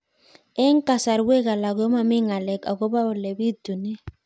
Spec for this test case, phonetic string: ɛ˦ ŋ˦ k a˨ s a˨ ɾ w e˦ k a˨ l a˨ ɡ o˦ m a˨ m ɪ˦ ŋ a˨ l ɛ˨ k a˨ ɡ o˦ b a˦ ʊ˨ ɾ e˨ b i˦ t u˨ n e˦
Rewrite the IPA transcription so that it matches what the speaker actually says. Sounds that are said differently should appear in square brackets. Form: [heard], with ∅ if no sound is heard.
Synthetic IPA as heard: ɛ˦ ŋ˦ k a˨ s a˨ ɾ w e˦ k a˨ l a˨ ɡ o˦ m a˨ m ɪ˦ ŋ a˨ l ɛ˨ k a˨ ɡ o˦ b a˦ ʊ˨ [l] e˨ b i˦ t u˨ n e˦

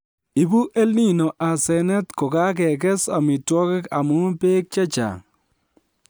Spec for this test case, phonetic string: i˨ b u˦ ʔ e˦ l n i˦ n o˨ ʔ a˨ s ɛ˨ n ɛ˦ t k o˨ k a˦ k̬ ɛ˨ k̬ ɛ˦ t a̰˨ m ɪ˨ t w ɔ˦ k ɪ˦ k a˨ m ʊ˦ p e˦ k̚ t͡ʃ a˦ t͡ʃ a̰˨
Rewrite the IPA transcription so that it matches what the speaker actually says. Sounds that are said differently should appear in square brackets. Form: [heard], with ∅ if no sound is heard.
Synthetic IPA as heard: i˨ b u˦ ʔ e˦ l n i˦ n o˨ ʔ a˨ s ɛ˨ n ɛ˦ t k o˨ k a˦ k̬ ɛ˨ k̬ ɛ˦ [s] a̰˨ m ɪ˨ t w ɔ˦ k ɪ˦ k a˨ m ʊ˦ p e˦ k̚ t͡ʃ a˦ t͡ʃ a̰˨

